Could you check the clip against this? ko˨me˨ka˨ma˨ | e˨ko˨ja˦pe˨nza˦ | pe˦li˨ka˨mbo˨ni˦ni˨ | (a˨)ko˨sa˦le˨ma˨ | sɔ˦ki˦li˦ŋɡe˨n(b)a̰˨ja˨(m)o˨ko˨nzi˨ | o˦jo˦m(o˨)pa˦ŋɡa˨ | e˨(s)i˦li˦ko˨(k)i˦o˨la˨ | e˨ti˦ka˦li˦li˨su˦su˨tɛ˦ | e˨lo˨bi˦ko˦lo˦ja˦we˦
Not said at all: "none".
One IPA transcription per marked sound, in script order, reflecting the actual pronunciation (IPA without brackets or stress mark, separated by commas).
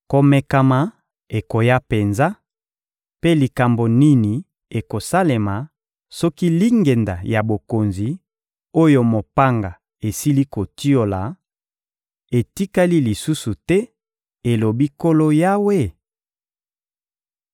e˨, d, b, o˨, s, t